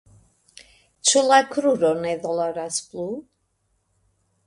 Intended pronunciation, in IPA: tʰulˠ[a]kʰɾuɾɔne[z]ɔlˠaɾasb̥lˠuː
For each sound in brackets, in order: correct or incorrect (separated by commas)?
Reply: correct, incorrect